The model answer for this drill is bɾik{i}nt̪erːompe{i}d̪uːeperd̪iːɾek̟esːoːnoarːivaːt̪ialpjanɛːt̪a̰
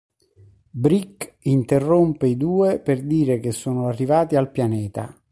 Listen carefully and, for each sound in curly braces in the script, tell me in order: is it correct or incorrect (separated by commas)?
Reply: correct, correct